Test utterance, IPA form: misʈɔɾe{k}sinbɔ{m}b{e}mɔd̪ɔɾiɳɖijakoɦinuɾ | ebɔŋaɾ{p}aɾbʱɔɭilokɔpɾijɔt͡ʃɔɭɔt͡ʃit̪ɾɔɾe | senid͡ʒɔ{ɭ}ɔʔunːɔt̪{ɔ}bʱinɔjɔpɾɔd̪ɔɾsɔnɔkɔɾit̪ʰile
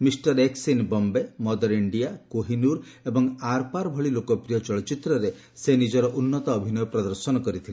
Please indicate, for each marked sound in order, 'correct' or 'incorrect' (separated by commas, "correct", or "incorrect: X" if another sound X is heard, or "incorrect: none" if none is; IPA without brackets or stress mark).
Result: correct, correct, correct, correct, incorrect: ɾ, incorrect: ɔː